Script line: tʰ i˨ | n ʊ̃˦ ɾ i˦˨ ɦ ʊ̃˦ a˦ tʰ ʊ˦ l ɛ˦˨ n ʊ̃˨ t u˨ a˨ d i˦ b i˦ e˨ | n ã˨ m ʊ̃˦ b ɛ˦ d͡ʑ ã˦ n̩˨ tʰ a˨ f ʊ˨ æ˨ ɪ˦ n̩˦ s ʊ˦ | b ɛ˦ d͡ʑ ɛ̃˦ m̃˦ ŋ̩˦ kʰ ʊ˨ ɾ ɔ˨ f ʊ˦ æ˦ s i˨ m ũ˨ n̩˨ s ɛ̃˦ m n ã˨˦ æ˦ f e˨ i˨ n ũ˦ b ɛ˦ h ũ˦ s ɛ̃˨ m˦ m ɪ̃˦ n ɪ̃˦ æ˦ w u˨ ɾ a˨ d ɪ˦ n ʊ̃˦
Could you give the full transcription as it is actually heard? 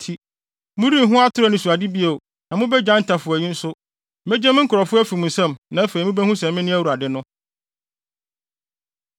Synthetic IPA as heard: tʰ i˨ | m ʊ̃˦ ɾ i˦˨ ɦ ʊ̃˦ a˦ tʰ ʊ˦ ɾ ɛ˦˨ n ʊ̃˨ s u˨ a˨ d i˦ b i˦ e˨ | n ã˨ m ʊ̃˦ b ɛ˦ d͡ʑ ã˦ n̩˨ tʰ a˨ f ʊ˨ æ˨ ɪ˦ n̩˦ s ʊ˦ | m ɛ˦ d͡ʑ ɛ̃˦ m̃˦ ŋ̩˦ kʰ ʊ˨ ɾ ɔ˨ f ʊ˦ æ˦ f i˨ m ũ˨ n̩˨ s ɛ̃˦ m n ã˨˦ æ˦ f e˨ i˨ m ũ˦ b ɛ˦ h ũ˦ s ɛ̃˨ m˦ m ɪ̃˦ n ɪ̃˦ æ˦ w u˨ ɾ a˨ d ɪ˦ n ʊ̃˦